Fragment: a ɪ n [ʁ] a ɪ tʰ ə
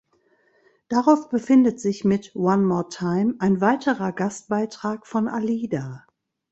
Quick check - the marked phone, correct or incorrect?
incorrect